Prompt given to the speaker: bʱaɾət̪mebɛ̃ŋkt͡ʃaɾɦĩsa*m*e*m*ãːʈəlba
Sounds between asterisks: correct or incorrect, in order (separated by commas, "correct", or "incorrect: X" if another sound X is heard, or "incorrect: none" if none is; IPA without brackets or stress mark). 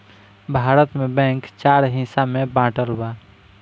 correct, incorrect: b